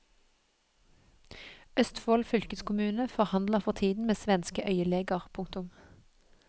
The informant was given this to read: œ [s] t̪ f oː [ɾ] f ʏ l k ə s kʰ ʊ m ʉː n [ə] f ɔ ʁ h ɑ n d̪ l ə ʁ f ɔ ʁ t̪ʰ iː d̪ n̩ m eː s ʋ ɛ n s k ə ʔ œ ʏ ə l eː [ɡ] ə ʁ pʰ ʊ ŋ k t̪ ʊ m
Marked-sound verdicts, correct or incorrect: correct, incorrect, correct, correct

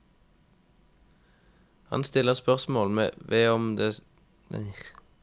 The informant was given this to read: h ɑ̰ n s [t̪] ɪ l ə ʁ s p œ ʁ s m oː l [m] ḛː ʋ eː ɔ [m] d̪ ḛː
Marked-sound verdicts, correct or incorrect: correct, correct, correct

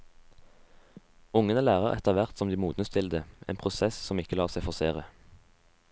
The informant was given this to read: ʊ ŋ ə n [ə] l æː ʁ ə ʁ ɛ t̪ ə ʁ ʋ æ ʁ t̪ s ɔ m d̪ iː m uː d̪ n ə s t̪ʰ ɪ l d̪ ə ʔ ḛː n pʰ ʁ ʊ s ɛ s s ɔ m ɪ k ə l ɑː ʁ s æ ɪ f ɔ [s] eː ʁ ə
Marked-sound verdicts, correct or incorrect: correct, correct

